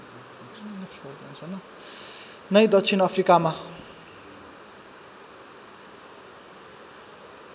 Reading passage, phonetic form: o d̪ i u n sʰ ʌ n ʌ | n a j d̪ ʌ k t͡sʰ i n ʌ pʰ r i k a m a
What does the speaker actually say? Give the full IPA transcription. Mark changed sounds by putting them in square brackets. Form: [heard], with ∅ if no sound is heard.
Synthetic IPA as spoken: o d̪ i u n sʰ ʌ n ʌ | n [ʌ] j d̪ ʌ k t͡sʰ i n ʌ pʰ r i k a m a